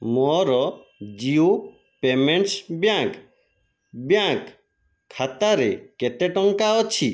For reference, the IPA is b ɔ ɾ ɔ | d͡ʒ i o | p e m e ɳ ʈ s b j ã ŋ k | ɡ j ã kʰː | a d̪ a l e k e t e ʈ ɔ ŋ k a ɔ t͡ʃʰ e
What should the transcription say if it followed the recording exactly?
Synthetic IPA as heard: m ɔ ɾ ɔ | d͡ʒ i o | p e m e ɳ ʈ s b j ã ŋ k | b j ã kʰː | a t̪ a ɾ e k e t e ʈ ɔ ŋ k a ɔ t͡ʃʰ i

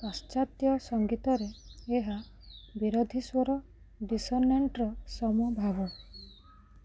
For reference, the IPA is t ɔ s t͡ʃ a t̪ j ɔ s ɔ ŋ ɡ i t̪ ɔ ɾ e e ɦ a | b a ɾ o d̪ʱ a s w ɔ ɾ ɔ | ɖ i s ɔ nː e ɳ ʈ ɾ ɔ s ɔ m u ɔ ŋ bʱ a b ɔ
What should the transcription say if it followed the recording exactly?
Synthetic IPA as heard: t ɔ s t͡ʃ a t̪ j ɔ s ɔ ŋ ɡ i t̪ ɔ ɾ e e ɦ a | b i ɾ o d̪ʱ i s w ɔ ɾ ɔ | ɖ i s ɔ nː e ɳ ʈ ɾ ɔ s ɔ m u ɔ bʱ a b ɔ

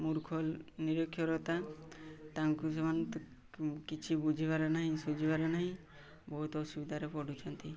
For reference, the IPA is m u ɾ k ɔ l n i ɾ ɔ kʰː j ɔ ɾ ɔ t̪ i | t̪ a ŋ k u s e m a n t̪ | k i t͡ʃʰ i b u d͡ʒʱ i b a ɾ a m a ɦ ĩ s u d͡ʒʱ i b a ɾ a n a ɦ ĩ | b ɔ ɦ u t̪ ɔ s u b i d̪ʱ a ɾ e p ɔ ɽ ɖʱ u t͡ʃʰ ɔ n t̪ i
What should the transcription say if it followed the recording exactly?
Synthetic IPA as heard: m u ɾ kʰ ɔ l n i ɾ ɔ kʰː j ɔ ɾ ɔ t̪ a | t̪ a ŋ k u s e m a n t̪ | k i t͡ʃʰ i b u d͡ʒʱ i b a ɾ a n a ɦ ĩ s u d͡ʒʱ i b a ɾ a n a ɦ ĩ | b ɔ ɦ u t̪ ɔ s u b i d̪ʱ a ɾ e p ɔ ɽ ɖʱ u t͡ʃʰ ɔ n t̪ i

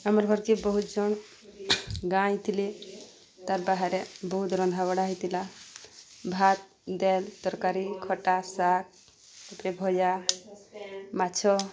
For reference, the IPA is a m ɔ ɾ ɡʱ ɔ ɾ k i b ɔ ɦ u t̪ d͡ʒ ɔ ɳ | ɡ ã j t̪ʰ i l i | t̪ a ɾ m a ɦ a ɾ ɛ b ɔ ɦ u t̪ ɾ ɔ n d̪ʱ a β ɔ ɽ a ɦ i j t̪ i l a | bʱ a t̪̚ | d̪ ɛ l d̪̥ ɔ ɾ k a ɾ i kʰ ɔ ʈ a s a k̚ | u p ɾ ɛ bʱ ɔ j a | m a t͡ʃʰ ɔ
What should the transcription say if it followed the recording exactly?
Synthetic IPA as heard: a m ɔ ɾ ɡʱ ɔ ɾ k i b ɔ ɦ u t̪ d͡ʒ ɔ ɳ | ɡ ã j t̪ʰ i l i | t̪ a ɾ b a ɦ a ɾ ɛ b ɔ ɦ u t̪ ɾ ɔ n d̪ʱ a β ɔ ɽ a ɦ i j t̪ i l a | bʱ a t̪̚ | d̪ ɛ l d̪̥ ɔ ɾ k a ɾ i kʰ ɔ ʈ a s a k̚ | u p ɾ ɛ bʱ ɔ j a | m a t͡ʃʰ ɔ

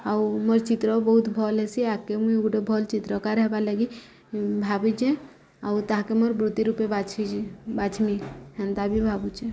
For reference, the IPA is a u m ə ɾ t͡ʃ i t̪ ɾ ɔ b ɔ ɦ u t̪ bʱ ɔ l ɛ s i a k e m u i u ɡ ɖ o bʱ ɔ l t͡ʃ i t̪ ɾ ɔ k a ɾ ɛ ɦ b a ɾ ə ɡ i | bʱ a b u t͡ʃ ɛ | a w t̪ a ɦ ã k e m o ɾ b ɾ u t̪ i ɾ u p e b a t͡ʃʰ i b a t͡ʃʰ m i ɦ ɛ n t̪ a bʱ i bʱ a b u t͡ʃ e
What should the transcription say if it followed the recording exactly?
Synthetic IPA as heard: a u m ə ɾ t͡ʃ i t̪ ɾ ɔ b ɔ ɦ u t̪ bʱ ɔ l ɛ s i a k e m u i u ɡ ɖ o bʱ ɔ l t͡ʃ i t̪ ɾ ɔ k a ɾ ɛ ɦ b a l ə ɡ i | bʱ a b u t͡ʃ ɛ | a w t̪ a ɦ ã k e m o ɾ b ɾ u t̪ i ɾ u p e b a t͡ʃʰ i b a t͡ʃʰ m i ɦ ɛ n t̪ a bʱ i bʱ a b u t͡ʃ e

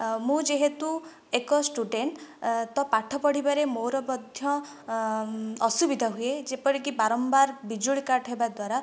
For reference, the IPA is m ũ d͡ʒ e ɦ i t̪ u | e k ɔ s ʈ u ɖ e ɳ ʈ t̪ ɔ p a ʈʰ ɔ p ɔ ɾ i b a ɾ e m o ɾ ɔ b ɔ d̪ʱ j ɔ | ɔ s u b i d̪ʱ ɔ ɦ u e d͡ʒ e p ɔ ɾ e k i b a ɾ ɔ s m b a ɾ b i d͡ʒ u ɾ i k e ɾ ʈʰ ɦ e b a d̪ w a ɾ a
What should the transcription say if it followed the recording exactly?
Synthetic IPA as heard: m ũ d͡ʒ e ɦ e t̪ u | e k ɔ s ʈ u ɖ e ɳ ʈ t̪ ɔ p a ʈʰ ɔ p ɔ ɽ i b a ɾ e m o ɾ ɔ b ɔ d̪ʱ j ɔ | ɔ s u b i d̪ʱ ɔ ɦ u e d͡ʒ e p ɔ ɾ i k i b a ɾ ɔ m b a ɾ b i d͡ʒ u ɭ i k a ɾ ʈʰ ɦ e b a d̪ w a ɾ a

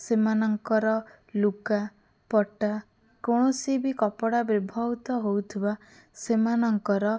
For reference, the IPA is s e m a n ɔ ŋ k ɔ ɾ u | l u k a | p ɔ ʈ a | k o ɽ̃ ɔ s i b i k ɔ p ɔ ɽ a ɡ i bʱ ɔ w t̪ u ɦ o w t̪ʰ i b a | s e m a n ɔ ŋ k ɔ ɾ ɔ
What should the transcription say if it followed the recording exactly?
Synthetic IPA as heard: s e m a n ɔ ŋ k ɔ ɾ ɔ | l u k a | p ɔ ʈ a | k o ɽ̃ ɔ s i b i k ɔ p ɔ ɽ a b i bʱ ɔ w t̪ ɔ ɦ o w t̪ʰ i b a | s e m a n ɔ ŋ k ɔ ɾ ɔ

